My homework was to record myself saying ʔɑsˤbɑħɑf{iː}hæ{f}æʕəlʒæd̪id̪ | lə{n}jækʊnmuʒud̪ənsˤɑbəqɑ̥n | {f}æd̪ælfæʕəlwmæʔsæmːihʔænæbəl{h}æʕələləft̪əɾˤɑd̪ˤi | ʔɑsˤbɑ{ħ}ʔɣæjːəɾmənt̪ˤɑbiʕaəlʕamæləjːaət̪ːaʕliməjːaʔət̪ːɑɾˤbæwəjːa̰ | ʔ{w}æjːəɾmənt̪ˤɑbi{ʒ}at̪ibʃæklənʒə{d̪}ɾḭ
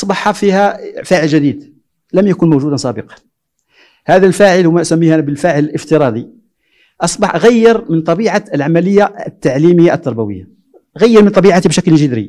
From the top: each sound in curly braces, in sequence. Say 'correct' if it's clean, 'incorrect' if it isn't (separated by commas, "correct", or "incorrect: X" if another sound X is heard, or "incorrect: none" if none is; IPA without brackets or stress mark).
incorrect: i, correct, incorrect: m, incorrect: h, incorrect: f, correct, incorrect: ɣ, incorrect: ʕ, correct